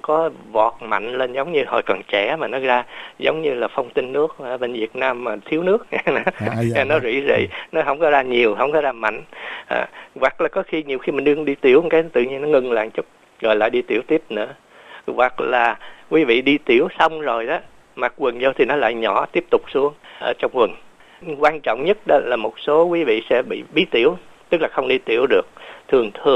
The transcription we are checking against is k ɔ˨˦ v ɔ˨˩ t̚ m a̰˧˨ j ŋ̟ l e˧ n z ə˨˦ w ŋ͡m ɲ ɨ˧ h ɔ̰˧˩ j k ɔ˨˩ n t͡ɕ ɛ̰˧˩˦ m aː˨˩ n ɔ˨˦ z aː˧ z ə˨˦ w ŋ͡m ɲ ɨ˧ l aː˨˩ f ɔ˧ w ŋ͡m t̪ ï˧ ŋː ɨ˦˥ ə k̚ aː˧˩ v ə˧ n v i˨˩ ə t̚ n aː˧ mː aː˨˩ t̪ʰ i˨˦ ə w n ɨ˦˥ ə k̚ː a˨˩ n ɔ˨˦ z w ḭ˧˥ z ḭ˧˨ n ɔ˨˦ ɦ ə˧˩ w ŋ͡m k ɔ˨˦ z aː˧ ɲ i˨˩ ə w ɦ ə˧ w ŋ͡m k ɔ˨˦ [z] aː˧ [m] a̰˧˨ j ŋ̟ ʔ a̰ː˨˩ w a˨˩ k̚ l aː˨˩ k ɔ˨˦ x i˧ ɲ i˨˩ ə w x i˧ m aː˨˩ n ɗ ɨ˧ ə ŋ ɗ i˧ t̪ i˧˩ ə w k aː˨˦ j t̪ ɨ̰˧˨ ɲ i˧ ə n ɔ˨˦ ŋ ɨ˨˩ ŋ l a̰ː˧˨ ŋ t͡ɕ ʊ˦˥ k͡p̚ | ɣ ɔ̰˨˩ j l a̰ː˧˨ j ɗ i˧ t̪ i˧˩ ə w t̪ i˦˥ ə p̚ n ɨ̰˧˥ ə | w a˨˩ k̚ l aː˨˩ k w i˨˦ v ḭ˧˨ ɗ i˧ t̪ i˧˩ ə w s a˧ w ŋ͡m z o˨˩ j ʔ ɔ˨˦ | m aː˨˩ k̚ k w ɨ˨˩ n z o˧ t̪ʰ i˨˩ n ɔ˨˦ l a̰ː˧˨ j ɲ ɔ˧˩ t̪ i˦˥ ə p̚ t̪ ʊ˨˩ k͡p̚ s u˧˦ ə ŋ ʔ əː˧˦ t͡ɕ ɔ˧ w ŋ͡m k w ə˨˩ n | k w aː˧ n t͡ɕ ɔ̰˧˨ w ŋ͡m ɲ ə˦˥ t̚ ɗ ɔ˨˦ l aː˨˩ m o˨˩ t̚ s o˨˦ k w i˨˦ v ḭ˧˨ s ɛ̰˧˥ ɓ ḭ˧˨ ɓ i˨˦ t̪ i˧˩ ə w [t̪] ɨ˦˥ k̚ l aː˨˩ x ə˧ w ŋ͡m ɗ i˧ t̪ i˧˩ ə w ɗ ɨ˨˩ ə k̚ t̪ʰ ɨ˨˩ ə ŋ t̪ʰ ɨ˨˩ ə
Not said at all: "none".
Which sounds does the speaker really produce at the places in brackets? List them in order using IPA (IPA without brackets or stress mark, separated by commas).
z, m, t̪